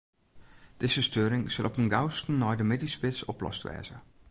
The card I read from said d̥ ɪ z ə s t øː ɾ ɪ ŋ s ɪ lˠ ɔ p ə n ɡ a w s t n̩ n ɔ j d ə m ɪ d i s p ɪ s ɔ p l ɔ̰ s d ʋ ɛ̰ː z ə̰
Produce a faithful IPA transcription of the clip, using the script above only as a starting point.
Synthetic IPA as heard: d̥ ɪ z ə s t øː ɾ ɪ ŋ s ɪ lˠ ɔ p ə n ɡ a w s t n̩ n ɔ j d ə m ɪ d i s p ɪ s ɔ p l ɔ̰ s t ʋ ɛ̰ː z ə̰